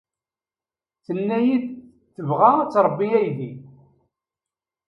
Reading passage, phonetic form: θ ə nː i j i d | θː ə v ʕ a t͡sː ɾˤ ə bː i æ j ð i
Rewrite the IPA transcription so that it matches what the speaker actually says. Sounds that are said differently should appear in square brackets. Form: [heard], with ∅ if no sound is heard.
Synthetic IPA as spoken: θ ə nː [æ] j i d | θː ə v [ʁ] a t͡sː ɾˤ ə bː i æ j ð i